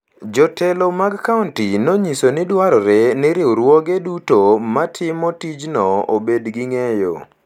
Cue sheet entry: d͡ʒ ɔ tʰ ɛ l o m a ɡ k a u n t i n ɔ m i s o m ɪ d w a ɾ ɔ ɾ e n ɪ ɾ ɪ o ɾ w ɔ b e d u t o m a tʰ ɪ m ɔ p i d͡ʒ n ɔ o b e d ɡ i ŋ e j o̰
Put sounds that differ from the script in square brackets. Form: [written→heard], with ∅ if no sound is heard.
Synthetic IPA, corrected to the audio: d͡ʒ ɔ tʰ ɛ l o m a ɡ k a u n t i n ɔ [m→ɲ] i s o [m→n] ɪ d w a ɾ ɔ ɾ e n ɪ ɾ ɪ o ɾ w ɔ [b→ɡ] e d u t o m a tʰ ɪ m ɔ [p→t] i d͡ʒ n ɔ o b e d ɡ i ŋ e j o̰